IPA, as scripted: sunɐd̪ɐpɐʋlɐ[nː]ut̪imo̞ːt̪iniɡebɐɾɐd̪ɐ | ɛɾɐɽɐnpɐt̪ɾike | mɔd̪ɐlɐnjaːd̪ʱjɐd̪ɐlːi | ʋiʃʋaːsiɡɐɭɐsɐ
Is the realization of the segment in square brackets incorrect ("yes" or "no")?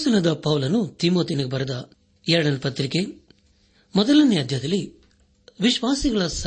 yes